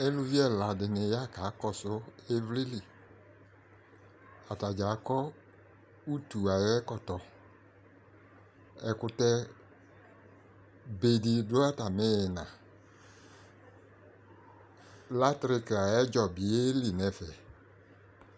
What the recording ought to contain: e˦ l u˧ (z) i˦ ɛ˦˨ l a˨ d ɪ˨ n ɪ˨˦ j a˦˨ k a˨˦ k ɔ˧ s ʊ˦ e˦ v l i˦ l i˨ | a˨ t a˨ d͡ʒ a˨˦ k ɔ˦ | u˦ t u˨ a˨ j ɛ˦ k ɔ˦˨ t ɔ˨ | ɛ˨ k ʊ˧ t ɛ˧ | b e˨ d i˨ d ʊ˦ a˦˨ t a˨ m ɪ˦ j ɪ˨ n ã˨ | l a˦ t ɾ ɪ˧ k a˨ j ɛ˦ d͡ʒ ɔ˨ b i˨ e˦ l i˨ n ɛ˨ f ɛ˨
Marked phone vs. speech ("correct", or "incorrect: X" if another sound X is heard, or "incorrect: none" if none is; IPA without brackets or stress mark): incorrect: v